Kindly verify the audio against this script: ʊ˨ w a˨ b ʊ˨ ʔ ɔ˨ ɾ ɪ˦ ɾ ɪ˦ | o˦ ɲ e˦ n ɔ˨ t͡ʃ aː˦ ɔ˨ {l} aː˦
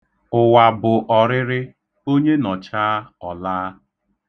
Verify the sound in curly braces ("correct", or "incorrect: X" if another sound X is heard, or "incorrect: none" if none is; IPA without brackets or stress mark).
correct